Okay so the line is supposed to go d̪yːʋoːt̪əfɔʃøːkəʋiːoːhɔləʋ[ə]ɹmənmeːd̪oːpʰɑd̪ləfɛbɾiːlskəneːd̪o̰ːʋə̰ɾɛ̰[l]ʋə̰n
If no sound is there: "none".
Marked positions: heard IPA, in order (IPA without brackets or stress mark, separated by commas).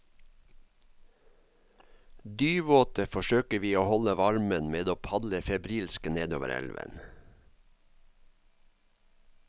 ɑ, l